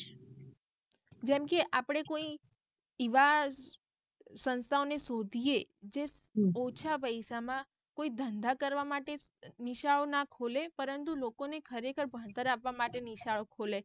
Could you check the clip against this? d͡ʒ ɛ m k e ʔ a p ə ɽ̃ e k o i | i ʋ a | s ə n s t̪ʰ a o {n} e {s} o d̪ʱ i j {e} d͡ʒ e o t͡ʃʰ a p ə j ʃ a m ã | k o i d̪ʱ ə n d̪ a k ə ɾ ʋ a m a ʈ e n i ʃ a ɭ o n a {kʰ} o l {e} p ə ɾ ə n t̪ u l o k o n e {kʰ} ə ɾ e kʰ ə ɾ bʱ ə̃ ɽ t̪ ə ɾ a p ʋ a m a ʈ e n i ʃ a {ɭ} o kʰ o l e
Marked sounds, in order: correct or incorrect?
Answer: correct, correct, correct, correct, correct, correct, correct

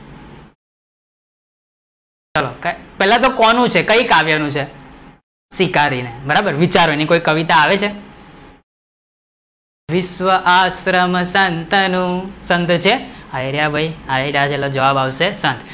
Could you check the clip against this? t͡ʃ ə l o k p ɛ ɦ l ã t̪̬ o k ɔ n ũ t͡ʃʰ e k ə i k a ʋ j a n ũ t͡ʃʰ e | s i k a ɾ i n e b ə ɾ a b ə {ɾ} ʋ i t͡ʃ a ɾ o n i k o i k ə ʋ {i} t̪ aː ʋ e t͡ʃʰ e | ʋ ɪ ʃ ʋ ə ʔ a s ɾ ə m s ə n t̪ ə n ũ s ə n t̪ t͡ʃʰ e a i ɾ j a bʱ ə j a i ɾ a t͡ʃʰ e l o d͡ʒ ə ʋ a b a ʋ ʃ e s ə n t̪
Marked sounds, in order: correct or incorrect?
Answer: correct, correct

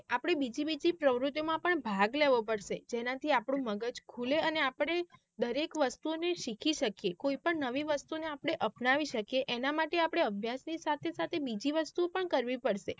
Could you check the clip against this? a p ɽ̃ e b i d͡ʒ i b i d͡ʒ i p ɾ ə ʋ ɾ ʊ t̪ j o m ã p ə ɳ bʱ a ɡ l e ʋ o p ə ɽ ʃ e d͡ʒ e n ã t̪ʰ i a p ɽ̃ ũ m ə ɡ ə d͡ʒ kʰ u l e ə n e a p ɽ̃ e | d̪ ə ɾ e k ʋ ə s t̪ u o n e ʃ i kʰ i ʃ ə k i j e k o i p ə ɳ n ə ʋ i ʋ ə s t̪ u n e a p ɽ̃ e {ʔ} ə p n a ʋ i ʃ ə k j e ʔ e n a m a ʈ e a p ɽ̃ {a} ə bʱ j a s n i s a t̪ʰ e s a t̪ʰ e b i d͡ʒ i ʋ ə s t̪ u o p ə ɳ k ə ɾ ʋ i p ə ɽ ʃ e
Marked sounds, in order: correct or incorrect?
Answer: correct, incorrect

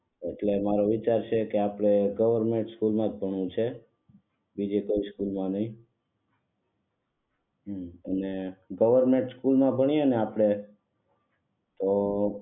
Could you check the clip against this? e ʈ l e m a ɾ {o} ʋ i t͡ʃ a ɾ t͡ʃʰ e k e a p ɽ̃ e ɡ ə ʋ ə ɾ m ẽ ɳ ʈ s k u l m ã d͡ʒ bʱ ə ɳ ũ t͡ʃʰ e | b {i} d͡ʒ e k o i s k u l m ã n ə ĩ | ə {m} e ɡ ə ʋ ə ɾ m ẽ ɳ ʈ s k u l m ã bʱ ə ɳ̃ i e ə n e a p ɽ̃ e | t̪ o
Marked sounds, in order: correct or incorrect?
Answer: correct, correct, incorrect

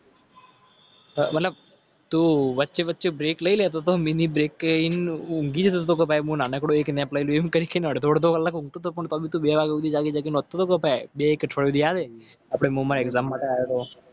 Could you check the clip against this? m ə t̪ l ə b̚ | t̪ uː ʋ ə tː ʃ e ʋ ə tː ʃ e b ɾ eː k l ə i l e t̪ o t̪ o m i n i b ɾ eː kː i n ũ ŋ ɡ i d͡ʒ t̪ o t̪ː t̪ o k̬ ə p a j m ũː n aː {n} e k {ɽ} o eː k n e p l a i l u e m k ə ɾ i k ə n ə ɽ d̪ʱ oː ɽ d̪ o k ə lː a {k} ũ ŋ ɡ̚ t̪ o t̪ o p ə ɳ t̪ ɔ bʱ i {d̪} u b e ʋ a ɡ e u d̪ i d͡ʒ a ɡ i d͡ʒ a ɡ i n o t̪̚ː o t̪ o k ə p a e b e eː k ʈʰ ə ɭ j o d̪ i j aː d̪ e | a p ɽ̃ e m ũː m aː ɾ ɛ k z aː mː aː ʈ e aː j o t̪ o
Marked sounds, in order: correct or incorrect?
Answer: correct, correct, correct, incorrect

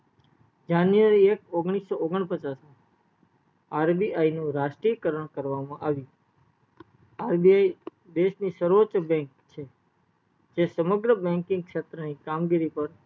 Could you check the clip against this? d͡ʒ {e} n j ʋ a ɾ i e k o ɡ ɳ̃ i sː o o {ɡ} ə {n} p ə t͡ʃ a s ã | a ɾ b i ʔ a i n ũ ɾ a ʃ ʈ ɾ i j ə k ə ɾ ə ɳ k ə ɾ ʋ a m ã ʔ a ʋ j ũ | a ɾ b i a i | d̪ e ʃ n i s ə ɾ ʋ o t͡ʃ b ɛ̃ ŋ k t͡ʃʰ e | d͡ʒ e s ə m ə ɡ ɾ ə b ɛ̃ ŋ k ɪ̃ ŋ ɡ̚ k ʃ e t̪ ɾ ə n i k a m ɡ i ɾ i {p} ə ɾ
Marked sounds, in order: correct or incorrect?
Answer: incorrect, correct, incorrect, correct

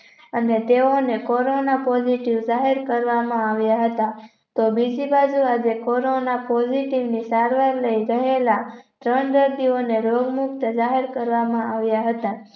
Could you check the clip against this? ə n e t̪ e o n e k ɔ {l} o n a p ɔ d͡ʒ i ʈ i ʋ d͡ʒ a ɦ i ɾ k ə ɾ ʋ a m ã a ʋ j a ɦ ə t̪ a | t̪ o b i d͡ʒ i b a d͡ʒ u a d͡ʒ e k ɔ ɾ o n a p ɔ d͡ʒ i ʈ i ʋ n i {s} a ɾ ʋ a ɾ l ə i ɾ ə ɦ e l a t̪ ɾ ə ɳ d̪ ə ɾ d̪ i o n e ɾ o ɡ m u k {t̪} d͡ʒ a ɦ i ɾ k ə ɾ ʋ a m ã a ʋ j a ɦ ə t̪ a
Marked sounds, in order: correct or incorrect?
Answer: incorrect, correct, correct

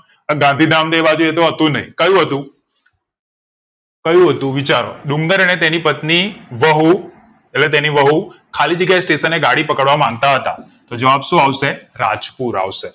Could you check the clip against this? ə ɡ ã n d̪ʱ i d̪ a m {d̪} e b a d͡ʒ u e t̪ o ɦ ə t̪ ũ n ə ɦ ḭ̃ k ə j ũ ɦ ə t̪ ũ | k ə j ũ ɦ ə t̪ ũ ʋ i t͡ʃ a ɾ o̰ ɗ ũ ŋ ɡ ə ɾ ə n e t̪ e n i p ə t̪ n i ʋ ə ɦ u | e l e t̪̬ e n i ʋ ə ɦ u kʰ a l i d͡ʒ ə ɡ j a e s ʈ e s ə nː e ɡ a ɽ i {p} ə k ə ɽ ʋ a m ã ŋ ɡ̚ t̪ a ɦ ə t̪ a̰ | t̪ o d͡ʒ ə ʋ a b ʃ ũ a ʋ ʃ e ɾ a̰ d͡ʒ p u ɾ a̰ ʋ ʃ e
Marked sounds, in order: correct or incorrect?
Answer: correct, correct

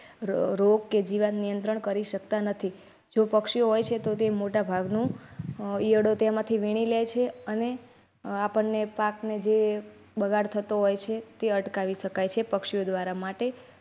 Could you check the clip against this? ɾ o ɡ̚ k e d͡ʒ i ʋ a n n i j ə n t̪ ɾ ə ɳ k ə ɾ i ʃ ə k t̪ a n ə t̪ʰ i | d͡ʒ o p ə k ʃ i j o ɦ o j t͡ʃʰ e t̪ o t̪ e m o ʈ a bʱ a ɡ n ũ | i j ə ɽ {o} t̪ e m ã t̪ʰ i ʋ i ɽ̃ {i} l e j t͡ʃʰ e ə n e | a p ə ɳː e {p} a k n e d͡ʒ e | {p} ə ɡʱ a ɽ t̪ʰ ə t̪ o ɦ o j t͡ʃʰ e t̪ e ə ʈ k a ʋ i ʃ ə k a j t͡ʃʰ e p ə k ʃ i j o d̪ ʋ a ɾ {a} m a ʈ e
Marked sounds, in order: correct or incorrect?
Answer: correct, correct, correct, incorrect, correct

